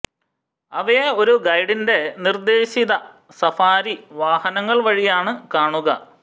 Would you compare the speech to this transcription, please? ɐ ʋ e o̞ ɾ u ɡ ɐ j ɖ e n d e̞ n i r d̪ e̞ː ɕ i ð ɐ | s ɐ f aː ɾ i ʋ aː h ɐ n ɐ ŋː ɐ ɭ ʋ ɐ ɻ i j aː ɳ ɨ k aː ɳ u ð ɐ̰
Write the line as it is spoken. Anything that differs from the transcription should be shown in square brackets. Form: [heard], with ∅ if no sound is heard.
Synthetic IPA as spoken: ɐ ʋ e o̞ ɾ u ɡ ɐ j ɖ [i] n d e̞ n i r d̪ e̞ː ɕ i ð ɐ | s ɐ f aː ɾ i ʋ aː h ɐ n ɐ ŋː ɐ ɭ ʋ ɐ ɻ i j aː ɳ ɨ k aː ɳ u [ɣ] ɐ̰